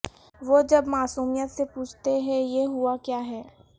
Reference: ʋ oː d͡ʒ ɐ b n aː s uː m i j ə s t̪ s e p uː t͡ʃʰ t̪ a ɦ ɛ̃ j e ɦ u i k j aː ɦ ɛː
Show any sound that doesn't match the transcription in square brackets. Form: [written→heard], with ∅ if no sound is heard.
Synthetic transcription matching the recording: ʋ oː d͡ʒ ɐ b [n→m] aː s uː m i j ə [s→∅] t̪ s e p uː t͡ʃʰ t̪ [a→e] ɦ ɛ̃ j e ɦ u [i→a] k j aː ɦ ɛː

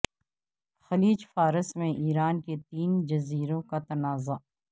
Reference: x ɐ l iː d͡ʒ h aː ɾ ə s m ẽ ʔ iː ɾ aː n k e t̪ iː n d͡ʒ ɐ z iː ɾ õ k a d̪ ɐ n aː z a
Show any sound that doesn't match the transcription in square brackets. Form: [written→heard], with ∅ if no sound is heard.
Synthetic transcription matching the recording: x ɐ l iː d͡ʒ [h→f] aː ɾ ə s m ẽ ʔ iː ɾ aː n k e t̪ iː n d͡ʒ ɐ z iː ɾ õ k a [d̪→t̪] ɐ n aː z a

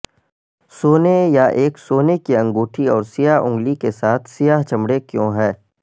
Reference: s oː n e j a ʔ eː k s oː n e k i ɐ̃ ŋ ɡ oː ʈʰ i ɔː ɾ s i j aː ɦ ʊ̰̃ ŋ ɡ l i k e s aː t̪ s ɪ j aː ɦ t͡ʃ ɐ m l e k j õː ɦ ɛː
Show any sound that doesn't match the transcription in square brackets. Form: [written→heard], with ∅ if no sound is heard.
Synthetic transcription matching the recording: s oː n e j a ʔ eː k s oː n e k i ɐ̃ ŋ ɡ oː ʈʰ i ɔː ɾ s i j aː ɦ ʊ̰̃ ŋ ɡ l i k e s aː [t̪→t̪ʰ] s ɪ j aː ɦ t͡ʃ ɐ m [l→ɽ] e k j õː ɦ ɛː

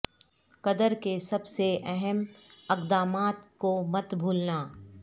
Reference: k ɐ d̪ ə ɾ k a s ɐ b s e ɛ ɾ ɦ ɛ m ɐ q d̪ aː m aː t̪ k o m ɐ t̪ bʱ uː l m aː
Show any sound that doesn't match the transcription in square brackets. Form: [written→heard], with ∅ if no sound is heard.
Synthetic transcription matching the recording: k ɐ d̪ ə ɾ k [a→e] s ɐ b s e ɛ [ɾ→∅] ɦ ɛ m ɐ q d̪ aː m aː t̪ k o m ɐ t̪ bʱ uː l [m→n] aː

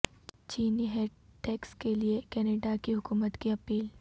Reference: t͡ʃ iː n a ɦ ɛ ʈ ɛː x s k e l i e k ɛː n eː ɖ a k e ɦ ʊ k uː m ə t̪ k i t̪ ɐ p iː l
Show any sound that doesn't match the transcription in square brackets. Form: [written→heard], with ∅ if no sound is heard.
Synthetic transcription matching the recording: t͡ʃ iː n [a→i] ɦ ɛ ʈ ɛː [x→k] s k e l i e k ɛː n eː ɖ a k [e→i] ɦ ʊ k uː m ə t̪ k i [t̪→∅] ɐ p iː l

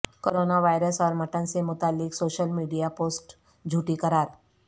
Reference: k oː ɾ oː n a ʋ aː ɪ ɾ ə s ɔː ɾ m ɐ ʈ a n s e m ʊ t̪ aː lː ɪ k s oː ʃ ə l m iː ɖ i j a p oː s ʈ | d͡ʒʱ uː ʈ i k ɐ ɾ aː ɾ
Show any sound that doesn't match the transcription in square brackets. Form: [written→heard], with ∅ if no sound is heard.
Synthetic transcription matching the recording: k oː ɾ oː n a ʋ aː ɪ ɾ ə s ɔː ɾ m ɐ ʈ [a→ə] n s e m ʊ t̪ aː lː ɪ k s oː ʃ ə l m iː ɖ i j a p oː s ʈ | d͡ʒʱ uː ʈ i k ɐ ɾ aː ɾ

